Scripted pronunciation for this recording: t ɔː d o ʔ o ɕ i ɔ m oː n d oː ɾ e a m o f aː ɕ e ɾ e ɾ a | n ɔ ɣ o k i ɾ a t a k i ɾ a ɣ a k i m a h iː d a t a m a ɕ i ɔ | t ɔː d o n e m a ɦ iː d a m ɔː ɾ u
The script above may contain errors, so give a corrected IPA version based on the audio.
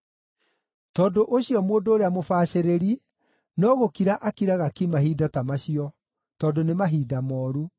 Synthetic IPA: t ɔː d o ʔ o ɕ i ɔ m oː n d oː ɾ e a m o f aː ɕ e ɾ e ɾ i | n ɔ ɣ o k i ɾ a ʔ a k i ɾ a ɣ a k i m a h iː d a t a m a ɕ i ɔ | t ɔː d o n e m a ɦ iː d a m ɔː ɾ u